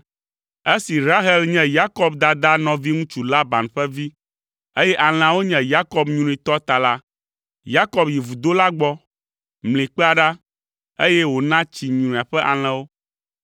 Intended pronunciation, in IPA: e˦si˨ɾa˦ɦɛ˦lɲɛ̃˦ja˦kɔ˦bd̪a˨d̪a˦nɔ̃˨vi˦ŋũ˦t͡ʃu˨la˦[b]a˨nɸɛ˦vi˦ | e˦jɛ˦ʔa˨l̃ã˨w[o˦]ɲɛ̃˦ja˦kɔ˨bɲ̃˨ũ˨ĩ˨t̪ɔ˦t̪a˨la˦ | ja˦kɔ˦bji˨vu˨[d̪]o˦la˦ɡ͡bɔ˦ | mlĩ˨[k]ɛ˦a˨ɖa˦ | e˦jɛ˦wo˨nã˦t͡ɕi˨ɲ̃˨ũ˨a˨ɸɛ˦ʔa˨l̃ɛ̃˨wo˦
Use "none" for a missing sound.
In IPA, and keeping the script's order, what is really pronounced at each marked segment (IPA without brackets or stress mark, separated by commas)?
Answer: b, o˦, d̪, k͡p